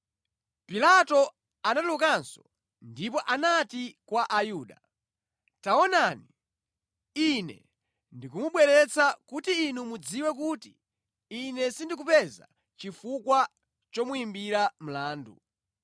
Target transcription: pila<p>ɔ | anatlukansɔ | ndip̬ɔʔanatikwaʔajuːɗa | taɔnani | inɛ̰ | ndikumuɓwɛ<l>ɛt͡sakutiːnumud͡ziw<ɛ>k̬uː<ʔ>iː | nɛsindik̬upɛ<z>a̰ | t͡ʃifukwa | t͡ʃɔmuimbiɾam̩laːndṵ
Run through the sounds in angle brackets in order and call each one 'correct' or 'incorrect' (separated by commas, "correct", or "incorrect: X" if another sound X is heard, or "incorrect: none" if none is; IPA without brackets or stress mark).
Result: incorrect: t, incorrect: ɾ, correct, incorrect: t, correct